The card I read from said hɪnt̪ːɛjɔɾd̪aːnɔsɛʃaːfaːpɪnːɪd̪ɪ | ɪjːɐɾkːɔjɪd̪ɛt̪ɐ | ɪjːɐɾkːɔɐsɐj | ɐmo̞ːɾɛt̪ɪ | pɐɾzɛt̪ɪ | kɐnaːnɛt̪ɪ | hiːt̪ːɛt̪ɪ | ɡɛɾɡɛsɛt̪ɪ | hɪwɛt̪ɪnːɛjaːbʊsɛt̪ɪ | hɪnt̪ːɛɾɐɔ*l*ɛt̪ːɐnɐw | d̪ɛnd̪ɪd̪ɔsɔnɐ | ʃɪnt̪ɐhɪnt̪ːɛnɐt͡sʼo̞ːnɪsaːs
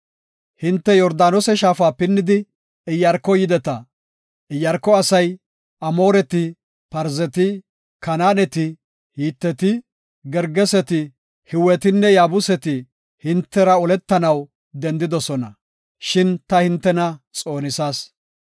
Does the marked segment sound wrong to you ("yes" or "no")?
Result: no